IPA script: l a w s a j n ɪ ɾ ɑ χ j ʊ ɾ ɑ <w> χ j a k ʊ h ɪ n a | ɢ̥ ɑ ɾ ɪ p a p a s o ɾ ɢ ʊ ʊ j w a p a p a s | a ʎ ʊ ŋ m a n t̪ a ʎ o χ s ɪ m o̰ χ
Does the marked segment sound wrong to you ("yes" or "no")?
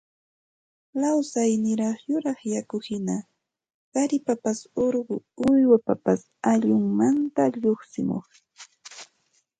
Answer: yes